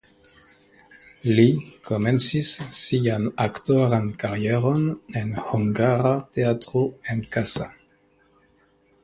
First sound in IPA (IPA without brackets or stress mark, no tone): l